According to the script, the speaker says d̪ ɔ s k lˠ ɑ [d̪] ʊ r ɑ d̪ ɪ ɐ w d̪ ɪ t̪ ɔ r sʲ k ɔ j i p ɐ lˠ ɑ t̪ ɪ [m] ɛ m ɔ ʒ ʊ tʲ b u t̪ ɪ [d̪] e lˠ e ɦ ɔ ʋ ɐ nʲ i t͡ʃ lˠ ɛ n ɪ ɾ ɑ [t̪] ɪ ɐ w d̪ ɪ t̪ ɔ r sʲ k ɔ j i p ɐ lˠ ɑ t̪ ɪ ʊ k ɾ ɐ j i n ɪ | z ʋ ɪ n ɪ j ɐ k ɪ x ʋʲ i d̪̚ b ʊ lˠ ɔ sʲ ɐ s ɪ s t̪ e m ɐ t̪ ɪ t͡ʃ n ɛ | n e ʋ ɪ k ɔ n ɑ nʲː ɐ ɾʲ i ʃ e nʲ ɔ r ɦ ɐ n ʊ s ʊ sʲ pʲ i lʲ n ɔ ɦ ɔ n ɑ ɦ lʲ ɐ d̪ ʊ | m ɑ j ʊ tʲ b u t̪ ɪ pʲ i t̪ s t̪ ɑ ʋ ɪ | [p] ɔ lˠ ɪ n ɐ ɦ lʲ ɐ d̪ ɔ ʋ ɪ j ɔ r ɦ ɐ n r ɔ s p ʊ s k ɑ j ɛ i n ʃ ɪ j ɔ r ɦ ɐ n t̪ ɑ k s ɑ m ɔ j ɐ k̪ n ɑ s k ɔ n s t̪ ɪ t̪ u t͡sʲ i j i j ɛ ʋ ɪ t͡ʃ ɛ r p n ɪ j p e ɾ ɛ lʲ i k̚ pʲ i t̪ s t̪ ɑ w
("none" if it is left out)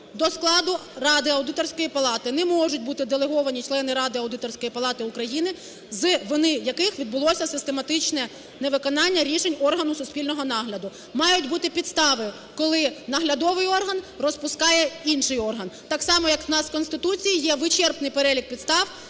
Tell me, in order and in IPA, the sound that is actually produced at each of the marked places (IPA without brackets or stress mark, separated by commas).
d̪, n, d̪, d̪, k